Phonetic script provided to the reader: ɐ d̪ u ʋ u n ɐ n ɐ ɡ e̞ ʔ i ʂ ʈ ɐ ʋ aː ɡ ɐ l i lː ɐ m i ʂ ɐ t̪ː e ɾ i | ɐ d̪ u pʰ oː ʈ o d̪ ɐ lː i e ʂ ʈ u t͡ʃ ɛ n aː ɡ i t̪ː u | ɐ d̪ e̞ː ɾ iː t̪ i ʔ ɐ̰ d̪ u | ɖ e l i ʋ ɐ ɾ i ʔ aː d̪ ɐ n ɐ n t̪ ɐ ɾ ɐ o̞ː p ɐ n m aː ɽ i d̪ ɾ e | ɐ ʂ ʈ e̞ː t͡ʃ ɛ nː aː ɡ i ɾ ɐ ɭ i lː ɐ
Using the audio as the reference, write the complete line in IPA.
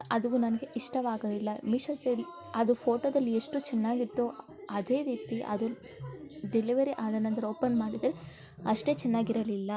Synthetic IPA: ɐ d̪ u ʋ u n ɐ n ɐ ɡ e̞ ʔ i ʂ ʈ ɐ ʋ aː ɡ ɐ l i lː ɐ m i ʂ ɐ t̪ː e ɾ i | ɐ d̪ u pʰ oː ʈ o d̪ ɐ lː i e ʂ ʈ u t͡ʃ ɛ nː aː ɡ i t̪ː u | ɐ d̪ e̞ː ɾ iː t̪ i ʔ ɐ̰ d̪ u | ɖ e l i ʋ ɐ ɾ i ʔ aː d̪ ɐ n ɐ n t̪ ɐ ɾ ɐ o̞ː p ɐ n m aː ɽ i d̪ ɾ e | ɐ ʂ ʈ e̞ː t͡ʃ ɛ nː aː ɡ i ɾ ɐ l i lː ɐ